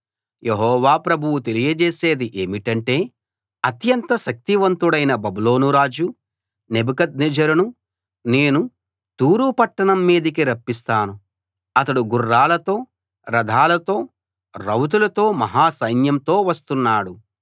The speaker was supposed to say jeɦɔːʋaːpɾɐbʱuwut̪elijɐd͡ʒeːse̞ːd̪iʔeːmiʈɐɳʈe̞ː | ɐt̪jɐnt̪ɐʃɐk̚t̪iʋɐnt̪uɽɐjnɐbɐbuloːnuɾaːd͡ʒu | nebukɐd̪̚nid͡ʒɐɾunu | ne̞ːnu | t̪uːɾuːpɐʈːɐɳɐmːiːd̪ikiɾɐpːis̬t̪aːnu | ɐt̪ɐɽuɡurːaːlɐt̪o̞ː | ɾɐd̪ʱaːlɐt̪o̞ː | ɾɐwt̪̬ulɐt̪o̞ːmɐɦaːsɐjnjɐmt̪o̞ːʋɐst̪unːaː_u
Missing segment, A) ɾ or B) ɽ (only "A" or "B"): B